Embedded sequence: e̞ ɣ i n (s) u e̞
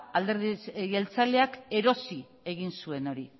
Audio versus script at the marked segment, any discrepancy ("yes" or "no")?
no